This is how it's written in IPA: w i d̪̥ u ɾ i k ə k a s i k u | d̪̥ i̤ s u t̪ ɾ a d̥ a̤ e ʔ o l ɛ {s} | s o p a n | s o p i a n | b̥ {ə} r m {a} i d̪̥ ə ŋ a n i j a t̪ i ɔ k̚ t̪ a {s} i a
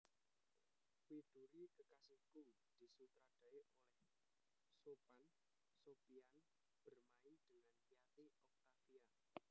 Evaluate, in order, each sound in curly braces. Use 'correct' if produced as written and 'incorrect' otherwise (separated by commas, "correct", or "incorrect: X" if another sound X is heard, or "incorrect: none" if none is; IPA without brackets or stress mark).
incorrect: h, correct, correct, incorrect: f